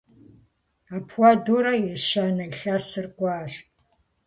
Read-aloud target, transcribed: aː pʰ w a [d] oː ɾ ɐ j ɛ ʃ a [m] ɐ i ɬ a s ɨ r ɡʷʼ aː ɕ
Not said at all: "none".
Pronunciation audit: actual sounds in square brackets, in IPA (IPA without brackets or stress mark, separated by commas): d, n